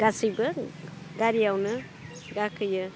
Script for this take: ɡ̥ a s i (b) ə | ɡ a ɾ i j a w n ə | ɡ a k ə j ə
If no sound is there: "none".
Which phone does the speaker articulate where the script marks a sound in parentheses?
b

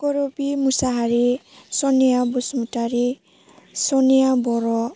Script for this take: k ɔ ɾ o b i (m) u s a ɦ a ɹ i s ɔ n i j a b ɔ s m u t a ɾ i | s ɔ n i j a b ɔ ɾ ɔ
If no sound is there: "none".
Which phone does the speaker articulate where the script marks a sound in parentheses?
m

